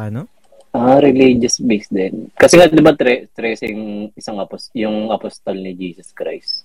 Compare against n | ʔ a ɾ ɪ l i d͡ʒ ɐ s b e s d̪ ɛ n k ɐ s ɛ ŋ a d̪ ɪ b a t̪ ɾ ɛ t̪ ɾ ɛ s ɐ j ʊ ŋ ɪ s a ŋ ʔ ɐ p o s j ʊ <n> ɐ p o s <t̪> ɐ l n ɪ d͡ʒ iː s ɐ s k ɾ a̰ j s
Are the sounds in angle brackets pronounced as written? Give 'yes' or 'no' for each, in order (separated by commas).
no, yes